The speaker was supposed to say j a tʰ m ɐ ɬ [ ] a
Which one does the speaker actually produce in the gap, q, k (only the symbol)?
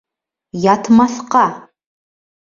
q